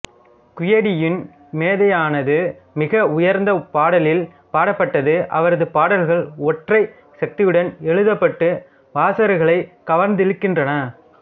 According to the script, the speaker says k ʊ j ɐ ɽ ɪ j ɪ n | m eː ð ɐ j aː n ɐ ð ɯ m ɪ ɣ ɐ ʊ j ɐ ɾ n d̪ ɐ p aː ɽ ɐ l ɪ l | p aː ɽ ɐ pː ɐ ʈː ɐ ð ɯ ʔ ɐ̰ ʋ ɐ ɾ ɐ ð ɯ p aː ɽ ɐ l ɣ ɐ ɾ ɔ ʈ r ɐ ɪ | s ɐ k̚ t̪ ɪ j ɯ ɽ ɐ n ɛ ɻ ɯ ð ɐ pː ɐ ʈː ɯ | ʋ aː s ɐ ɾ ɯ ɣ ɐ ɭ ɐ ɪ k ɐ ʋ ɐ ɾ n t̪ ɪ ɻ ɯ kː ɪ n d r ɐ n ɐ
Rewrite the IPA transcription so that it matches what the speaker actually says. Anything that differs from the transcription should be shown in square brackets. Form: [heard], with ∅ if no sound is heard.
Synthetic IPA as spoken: k ʊ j ɐ ɽ ɪ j ɪ n | m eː ð ɐ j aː n ɐ ð ɯ m ɪ ɣ ɐ ʊ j ɐ ɾ n d̪ ɐ p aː ɽ ɐ l ɪ l | p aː ɽ ɐ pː ɐ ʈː ɐ ð ɯ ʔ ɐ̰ ʋ ɐ ɾ ɐ ð ɯ p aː ɽ ɐ l ɣ ɐ [ɭ] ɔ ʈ r ɐ ɪ | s ɐ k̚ t̪ ɪ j ɯ ɽ ɐ n ɛ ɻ ɯ ð ɐ pː ɐ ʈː ɯ | ʋ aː s ɐ ɾ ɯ ɣ ɐ ɭ ɐ ɪ k ɐ ʋ ɐ ɾ n [d̪] ɪ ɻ ɯ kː ɪ n d r ɐ n ɐ